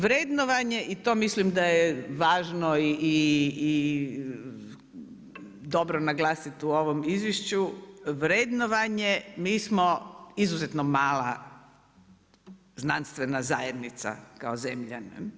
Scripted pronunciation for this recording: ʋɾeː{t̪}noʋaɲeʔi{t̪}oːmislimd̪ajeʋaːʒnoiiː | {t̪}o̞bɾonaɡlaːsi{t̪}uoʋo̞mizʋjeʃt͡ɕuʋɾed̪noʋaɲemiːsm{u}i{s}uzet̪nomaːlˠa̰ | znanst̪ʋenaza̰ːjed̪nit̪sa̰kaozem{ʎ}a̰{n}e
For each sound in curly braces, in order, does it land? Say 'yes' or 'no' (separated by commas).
no, yes, no, yes, no, no, yes, yes